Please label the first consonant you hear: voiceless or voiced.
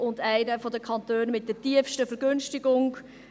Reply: voiced